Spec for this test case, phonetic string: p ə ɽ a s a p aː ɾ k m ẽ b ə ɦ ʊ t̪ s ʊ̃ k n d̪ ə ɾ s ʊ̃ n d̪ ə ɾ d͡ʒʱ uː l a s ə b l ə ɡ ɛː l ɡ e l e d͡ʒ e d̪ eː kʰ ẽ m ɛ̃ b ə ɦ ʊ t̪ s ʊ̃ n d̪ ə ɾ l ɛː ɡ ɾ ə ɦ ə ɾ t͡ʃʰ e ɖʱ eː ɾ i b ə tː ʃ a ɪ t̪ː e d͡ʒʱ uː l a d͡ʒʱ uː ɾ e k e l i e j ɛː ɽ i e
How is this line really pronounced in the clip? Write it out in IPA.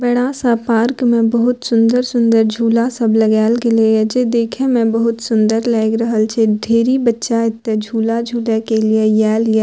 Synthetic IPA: b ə ɽ a s a p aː ɾ k m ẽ b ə ɦ ʊ t̪ s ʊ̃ n d̪ ə ɾ s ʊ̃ n d̪ ə ɾ d͡ʒʱ uː l a s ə b l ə ɡ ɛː l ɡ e l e d͡ʒ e d̪ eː kʰ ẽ m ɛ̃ b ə ɦ ʊ t̪ s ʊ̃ n d̪ ə ɾ l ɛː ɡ ɾ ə ɦ ə l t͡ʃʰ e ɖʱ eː ɾ i b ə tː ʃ a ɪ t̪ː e d͡ʒʱ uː l a d͡ʒʱ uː l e k e l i e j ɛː l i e